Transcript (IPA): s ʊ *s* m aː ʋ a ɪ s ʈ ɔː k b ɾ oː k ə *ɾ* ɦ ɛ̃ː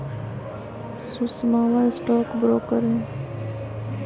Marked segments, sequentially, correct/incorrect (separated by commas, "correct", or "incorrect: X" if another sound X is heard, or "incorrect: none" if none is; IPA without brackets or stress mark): correct, correct